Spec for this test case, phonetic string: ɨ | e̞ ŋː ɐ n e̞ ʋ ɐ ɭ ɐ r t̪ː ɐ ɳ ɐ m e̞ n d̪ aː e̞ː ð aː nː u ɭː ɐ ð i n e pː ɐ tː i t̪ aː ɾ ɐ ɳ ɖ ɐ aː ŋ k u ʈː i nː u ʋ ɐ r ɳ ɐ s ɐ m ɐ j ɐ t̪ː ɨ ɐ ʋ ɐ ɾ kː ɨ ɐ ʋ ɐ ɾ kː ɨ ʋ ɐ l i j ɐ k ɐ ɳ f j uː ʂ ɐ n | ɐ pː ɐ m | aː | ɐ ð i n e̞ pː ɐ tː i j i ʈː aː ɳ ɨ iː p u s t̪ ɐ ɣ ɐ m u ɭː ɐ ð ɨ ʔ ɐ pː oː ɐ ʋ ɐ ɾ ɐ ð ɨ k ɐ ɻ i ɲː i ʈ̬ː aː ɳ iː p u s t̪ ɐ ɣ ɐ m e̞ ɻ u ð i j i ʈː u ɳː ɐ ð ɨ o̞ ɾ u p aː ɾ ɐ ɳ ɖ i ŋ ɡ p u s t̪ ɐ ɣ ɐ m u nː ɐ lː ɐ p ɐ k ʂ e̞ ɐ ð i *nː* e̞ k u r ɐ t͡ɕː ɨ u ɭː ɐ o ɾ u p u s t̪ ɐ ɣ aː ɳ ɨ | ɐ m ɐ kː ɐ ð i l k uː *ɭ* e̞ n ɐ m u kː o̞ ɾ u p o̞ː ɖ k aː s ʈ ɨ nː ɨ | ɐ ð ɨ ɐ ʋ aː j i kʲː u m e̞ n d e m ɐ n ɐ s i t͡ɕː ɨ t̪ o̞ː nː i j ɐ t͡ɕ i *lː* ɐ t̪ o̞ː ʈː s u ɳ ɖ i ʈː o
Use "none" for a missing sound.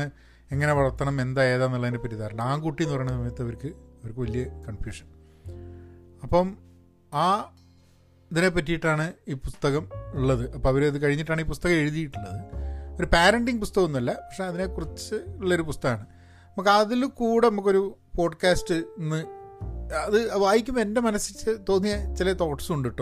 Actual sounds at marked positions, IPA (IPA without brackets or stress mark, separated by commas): n, ɽ, l